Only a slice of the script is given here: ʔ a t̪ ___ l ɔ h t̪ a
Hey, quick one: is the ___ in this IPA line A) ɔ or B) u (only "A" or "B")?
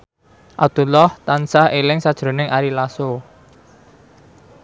B